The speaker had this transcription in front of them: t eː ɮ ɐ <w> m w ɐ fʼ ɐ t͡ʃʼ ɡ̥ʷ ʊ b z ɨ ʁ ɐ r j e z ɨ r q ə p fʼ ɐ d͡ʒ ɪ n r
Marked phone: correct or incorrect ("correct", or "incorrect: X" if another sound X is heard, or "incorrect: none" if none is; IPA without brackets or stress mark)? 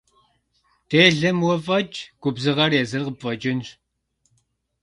incorrect: none